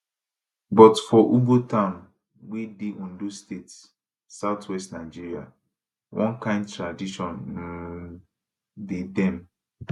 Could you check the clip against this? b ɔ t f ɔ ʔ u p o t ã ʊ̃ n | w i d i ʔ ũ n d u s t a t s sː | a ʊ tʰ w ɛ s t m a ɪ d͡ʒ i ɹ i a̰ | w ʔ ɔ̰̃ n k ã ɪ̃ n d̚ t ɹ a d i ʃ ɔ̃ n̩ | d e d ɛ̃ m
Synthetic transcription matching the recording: b ɔ t f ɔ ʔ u b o t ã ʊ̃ n | w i d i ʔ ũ n d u s t e t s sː | a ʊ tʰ w ɛ s t n a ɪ d͡ʒ i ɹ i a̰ | w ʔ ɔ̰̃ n k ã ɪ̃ n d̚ t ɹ a d i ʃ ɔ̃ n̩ | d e d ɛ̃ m